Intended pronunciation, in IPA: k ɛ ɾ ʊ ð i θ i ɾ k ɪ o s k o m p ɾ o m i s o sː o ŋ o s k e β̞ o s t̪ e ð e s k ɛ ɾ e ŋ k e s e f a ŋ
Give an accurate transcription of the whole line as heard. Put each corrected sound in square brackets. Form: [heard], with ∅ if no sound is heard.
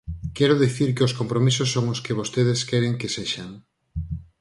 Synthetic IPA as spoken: k ɛ ɾ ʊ ð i θ i ɾ k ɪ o s k o m p ɾ o m i s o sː o ŋ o s k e β̞ o s t̪ e ð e s k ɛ ɾ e ŋ k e s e [ʃ] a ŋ